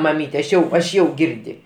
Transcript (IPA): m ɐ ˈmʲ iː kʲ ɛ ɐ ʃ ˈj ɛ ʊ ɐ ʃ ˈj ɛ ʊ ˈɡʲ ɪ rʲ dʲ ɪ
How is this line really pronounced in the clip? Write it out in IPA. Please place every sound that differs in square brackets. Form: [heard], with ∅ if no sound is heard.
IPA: m ɐ ˈmʲ iː [tʲ] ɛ ɐ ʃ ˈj ɛ ʊ ɐ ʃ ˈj ɛ ʊ ˈɡʲ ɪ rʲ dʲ ɪ